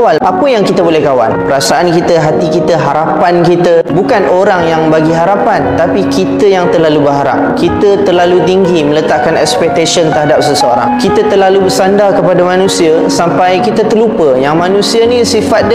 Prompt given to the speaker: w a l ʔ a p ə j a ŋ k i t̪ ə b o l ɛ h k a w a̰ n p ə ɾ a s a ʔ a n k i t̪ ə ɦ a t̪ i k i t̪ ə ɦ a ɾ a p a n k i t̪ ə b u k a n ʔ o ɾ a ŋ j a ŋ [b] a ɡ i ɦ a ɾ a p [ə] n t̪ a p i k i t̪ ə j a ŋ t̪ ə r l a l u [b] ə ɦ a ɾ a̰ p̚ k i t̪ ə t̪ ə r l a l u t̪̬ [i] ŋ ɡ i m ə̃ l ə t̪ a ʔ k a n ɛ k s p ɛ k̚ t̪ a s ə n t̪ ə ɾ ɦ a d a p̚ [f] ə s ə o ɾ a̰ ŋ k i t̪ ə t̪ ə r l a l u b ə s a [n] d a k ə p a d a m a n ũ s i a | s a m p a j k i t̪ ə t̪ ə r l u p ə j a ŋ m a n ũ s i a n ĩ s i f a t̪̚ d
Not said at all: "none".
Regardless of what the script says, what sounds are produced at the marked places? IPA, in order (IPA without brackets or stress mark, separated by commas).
b, a, b, i, s, n